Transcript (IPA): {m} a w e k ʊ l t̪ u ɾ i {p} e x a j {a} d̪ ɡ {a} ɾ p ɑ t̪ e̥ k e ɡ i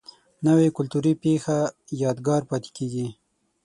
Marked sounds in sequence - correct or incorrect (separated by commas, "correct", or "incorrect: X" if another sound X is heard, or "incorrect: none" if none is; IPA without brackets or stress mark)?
incorrect: n, correct, incorrect: ɑ, incorrect: ɑ